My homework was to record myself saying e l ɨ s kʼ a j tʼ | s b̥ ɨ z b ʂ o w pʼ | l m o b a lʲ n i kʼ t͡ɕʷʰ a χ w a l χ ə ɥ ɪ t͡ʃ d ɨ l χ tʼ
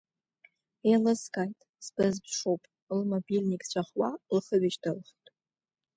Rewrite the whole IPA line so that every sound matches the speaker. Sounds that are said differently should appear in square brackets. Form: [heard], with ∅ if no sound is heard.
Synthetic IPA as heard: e l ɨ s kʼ a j tʼ | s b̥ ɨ z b ʂ o w pʼ | l m o b [i] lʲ n i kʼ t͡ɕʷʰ a χ w a l χ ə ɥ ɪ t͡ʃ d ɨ l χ tʼ